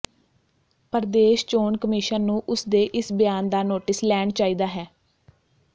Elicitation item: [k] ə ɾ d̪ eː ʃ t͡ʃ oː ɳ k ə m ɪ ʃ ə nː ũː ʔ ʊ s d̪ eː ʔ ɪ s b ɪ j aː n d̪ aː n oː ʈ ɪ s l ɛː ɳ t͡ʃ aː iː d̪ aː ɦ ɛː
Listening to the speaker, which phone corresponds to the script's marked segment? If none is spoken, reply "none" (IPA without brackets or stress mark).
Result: p